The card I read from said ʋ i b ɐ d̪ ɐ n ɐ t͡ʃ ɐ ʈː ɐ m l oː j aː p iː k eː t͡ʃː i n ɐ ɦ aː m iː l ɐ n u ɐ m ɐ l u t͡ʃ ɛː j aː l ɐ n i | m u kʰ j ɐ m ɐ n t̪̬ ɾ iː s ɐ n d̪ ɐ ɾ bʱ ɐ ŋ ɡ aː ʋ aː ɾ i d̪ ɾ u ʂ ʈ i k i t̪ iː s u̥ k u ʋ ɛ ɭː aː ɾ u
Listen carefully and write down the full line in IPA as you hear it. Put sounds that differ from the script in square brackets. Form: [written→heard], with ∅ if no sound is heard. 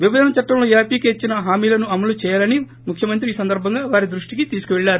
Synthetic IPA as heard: ʋ i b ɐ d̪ ɐ n ɐ t͡ʃ ɐ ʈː ɐ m l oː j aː p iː k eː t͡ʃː i n ɐ ɦ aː m iː l ɐ n u ɐ m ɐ l u t͡ʃ ɛː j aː l ɐ n i | m u kʰ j ɐ m ɐ n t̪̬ ɾ iː s ɐ n d̪ ɐ ɾ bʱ ɐ ŋ ɡ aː ʋ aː ɾ i d̪ ɾ u ʂ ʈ i k i t̪ iː s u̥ k u ʋ ɛ ɭː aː ɾ u